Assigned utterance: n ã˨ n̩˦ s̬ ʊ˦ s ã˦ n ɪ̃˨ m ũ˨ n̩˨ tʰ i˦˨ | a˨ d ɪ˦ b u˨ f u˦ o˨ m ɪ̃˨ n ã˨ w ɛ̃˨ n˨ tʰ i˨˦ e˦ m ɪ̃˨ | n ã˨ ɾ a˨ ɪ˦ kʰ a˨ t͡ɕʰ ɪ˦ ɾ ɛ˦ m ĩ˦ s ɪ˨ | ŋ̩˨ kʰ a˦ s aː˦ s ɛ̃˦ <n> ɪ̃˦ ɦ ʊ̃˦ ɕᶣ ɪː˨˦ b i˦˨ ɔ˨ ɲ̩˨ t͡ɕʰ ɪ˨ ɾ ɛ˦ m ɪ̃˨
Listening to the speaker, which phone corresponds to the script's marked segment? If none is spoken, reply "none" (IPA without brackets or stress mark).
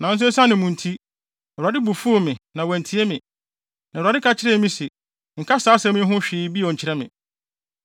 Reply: m